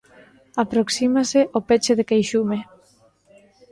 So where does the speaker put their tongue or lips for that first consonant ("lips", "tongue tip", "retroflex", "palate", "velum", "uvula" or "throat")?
lips